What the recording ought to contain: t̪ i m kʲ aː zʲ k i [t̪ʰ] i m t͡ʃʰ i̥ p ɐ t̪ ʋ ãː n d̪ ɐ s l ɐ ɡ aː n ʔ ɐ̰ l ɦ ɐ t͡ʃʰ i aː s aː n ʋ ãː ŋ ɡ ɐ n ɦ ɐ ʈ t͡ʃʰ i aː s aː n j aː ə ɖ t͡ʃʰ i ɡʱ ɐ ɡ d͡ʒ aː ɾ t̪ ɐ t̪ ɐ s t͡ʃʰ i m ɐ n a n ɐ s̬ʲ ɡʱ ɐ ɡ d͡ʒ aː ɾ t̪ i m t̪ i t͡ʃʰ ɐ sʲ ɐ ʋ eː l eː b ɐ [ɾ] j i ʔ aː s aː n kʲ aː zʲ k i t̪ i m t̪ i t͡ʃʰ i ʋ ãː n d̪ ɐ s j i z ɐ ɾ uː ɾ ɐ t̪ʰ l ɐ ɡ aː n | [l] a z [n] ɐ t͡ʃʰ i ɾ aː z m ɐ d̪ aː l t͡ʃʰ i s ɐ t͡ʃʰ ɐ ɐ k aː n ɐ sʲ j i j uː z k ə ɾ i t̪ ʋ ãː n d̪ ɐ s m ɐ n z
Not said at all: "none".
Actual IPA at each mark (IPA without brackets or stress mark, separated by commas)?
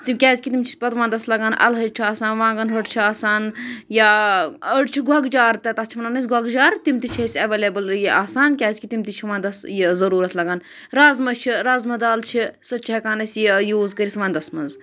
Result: t̪, l, ɾ, m